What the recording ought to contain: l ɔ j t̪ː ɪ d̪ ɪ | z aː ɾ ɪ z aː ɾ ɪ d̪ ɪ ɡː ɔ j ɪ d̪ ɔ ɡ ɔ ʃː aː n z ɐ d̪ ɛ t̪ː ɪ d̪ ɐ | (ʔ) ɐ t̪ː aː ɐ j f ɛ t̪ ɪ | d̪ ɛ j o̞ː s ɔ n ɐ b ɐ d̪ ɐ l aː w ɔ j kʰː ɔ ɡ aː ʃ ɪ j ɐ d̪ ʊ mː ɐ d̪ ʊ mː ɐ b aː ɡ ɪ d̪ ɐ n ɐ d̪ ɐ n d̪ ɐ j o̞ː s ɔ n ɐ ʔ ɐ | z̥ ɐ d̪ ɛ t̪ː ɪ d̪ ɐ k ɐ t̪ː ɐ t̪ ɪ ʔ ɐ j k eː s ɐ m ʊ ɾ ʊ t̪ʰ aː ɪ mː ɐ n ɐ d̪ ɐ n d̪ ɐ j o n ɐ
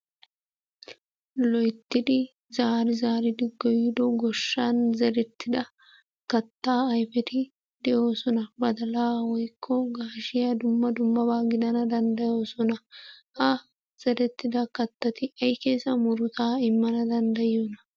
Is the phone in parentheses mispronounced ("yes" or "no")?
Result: yes